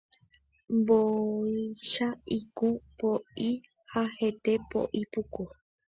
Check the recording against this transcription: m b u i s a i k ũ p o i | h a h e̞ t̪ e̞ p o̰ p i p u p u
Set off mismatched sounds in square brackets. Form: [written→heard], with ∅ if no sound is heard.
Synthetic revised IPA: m b [u→o] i [s→ʃ] a i k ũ p o i | h a h e̞ t̪ e̞ p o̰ [p→ʔ] i p u [p→k] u